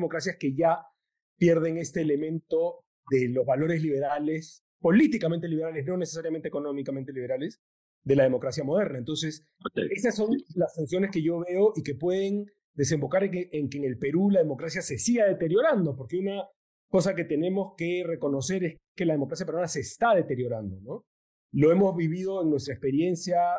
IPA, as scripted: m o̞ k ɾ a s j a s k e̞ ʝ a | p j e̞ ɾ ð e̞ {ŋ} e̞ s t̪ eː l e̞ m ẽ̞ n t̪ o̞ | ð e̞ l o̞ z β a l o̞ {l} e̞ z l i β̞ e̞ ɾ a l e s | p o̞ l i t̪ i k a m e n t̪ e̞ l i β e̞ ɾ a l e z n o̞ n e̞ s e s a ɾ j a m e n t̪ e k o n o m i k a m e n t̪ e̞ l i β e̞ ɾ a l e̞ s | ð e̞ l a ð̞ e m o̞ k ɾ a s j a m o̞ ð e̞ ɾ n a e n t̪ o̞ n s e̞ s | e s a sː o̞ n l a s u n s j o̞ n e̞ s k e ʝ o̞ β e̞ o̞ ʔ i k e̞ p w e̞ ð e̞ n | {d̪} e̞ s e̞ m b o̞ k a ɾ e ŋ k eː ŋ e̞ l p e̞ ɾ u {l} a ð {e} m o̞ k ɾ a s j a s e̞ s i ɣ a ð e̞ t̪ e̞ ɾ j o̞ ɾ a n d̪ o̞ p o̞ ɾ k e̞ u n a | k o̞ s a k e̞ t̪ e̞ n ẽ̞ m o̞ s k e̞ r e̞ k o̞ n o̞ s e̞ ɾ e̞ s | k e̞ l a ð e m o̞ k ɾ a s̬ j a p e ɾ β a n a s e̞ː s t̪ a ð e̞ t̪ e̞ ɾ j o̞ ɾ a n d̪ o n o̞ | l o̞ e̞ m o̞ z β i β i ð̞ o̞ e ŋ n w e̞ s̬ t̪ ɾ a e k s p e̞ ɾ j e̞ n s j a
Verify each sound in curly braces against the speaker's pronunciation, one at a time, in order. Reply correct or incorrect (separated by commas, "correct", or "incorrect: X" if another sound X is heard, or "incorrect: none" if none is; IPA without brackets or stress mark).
correct, incorrect: ɾ, correct, correct, correct